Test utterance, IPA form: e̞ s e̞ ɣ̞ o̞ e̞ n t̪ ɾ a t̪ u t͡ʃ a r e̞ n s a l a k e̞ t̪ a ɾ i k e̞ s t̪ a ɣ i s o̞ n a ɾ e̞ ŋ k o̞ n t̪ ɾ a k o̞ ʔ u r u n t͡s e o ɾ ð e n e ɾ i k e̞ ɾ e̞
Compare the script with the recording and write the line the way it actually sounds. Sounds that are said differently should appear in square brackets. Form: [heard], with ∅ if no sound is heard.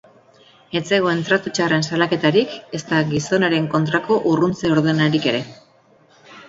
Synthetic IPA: e̞ [t͡s] e̞ ɣ̞ o̞ e̞ n t̪ ɾ a t̪ u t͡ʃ a r e̞ n s a l a k e̞ t̪ a ɾ i k e̞ s t̪ a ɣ i s o̞ n a ɾ e̞ ŋ k o̞ n t̪ ɾ a k o̞ ʔ u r u n t͡s e o ɾ ð e n [a] ɾ i k e̞ ɾ e̞